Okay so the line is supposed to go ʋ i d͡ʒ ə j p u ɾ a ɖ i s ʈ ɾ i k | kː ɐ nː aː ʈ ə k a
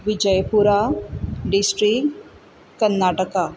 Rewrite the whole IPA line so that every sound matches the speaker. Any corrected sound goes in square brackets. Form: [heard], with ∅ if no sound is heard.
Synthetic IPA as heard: ʋ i d͡ʒ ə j p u ɾ a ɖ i s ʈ ɾ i k | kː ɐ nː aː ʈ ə k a